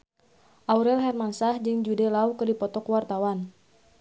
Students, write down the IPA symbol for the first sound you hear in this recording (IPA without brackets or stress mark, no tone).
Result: ʔ